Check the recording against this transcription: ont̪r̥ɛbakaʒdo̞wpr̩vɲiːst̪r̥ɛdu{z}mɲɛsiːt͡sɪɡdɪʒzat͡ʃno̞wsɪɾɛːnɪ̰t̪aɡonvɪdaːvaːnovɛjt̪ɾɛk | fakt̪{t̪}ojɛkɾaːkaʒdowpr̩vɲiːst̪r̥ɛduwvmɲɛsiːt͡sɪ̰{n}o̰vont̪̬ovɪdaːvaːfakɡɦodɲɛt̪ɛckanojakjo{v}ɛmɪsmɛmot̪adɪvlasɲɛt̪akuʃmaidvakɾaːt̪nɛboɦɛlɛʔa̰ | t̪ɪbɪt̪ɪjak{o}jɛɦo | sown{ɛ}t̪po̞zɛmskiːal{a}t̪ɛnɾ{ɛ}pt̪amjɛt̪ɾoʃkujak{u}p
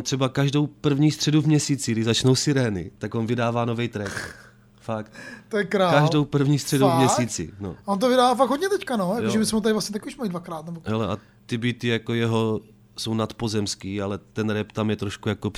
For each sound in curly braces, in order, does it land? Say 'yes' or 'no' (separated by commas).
no, yes, yes, no, yes, no, no, yes, no